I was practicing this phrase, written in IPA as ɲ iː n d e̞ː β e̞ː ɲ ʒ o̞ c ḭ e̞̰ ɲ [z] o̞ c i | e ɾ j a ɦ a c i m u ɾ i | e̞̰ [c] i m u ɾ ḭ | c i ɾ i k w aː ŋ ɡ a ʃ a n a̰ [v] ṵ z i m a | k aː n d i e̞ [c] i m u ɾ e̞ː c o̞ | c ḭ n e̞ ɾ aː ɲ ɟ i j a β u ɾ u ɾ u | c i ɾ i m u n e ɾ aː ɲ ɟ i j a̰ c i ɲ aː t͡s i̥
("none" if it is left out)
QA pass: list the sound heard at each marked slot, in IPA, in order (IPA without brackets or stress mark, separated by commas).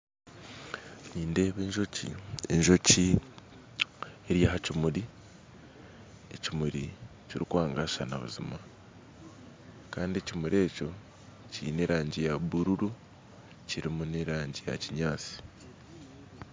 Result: ʒ, c, β, c